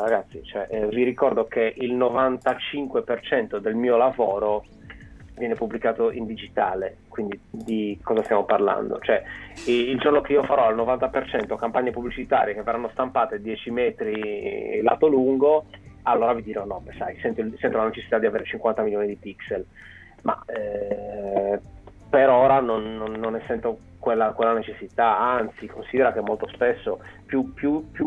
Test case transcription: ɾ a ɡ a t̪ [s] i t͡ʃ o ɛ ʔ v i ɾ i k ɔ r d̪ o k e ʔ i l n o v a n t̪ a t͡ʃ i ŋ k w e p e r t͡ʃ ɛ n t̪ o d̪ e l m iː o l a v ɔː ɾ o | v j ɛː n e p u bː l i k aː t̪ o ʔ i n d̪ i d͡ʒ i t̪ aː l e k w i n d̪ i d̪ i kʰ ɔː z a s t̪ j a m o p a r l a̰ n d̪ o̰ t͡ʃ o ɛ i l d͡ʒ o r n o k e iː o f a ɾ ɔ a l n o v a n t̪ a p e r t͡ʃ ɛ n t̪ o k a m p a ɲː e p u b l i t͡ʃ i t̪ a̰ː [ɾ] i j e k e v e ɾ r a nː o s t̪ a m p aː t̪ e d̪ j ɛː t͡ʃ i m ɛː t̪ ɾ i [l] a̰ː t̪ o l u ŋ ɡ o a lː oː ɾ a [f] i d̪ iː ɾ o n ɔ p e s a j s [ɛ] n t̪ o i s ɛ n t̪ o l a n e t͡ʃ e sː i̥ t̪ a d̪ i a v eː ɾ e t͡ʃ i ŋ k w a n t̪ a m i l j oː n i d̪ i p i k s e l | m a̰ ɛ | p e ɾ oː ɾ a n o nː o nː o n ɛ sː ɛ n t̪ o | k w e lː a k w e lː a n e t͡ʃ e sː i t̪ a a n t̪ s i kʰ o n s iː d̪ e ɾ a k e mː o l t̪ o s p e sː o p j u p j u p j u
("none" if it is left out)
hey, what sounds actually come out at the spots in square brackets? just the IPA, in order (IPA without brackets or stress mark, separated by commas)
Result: sː, ɾ, l, v, ɛ